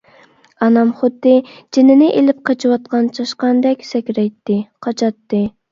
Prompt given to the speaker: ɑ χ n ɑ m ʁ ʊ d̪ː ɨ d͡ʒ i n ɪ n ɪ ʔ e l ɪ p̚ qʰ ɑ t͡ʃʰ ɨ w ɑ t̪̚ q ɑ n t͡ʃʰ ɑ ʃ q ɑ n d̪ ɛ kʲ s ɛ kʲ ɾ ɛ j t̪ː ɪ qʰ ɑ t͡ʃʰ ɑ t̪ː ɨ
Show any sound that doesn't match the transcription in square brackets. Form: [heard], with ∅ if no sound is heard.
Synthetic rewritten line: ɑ [∅] n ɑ m [χ] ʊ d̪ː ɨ d͡ʒ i n ɪ n ɪ ʔ e l ɪ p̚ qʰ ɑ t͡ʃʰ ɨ w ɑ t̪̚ q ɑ n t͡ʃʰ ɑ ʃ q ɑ n d̪ ɛ kʲ s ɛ kʲ ɾ ɛ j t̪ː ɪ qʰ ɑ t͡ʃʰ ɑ t̪ː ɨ